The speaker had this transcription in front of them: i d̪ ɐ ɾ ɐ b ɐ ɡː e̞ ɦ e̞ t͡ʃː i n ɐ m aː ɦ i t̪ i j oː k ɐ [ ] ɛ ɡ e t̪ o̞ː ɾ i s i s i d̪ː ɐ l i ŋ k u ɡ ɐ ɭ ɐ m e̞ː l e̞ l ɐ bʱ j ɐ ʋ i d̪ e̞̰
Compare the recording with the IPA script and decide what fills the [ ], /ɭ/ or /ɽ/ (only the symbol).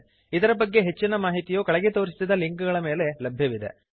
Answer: ɭ